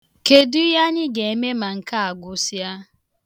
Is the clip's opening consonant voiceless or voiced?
voiceless